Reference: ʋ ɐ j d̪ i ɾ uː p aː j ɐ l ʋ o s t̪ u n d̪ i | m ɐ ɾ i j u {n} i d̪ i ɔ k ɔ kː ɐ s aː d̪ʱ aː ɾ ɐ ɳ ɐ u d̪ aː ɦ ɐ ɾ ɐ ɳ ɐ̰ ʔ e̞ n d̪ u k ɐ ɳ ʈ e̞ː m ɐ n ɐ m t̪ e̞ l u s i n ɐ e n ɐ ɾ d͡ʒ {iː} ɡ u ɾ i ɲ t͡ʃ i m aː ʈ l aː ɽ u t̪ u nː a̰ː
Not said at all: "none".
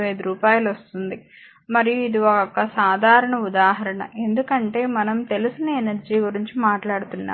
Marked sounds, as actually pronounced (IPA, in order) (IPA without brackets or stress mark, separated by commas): none, iː